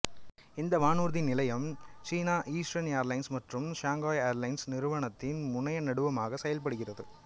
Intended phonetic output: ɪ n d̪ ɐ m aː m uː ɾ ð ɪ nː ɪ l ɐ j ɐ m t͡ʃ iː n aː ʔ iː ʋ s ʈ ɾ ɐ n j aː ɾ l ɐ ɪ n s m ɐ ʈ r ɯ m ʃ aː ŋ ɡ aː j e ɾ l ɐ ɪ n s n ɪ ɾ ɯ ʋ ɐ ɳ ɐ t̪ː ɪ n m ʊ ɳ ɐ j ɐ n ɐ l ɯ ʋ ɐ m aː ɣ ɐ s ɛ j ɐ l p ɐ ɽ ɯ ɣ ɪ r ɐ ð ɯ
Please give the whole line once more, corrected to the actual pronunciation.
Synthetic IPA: ɪ n d̪ ɐ m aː n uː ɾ ð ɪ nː ɪ l ɐ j ɐ m t͡ʃ iː n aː ʔ iː s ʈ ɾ ɐ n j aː ɾ l ɐ ɪ n s m ɐ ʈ r ɯ m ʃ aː ŋ ɡ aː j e ɾ l ɐ ɪ n s n ɪ ɾ ɯ ʋ ɐ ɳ ɐ t̪ː ɪ n m ʊ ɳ ɐ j ɐ n ɐ ɽ ɯ ʋ ɐ m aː ɣ ɐ s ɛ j ɐ l p ɐ ɽ ɯ ɣ ɪ r ɐ ð ɯ